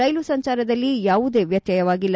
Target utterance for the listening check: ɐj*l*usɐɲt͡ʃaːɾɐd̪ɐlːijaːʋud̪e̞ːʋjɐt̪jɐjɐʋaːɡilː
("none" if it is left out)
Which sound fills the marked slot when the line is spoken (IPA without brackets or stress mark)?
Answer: l